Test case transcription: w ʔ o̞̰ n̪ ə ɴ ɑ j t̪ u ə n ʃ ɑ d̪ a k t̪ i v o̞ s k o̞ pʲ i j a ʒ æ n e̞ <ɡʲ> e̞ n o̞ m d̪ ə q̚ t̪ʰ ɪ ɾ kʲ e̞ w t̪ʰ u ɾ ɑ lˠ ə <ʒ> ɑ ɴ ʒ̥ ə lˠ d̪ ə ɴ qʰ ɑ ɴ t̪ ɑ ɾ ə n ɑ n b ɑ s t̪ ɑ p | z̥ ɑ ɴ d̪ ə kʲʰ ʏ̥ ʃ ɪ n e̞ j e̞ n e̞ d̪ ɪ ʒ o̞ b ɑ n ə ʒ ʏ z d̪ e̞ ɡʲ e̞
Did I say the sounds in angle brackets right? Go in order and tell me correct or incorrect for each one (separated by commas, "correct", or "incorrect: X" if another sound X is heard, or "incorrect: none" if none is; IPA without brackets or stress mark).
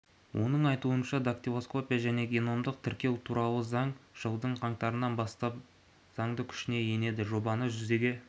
correct, incorrect: z